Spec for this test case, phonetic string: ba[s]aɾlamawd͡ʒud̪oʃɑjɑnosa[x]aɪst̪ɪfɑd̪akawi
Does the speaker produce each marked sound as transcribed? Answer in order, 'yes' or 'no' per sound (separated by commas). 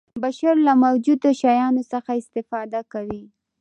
no, yes